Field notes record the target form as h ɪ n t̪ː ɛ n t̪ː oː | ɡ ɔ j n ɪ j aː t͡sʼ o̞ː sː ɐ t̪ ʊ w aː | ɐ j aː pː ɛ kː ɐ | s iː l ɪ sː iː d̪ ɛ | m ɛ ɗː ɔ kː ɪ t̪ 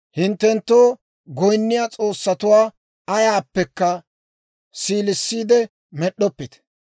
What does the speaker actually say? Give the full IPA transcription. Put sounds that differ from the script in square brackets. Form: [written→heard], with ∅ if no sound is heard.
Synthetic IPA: h ɪ n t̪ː ɛ n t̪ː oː | ɡ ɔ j [n→nː] ɪ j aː t͡sʼ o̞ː sː ɐ t̪ ʊ w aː | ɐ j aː pː ɛ kː ɐ | s iː l ɪ sː iː d̪ ɛ | m ɛ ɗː ɔ [kː→pː] ɪ t̪